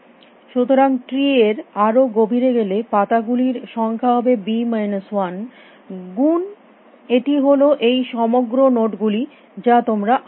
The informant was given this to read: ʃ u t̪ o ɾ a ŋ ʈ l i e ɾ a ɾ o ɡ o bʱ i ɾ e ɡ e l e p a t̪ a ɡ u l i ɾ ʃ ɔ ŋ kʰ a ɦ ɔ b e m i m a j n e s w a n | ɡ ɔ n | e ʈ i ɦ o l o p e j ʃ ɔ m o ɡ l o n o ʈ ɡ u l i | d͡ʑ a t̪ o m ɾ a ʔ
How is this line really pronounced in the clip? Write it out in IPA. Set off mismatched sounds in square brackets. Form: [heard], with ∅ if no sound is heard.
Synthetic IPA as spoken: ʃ u t̪ o ɾ a ŋ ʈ [ɾ] i e ɾ a ɾ o ɡ o bʱ i ɾ e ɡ e l e p a t̪ a ɡ u l i ɾ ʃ ɔ ŋ kʰ a ɦ ɔ b e [b] i m a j n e s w a n | ɡ [u] n | e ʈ i ɦ o l o [ʔ] e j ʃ ɔ m o ɡ [ɾ] o n o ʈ ɡ u l i | d͡ʑ a t̪ o m ɾ a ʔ